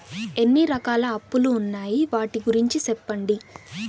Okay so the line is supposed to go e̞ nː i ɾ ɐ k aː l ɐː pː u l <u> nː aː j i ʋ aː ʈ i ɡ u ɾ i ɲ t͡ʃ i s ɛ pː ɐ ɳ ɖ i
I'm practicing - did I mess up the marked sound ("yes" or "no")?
yes